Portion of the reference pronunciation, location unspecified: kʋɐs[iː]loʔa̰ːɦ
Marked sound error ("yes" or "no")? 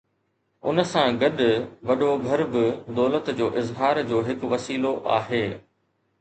no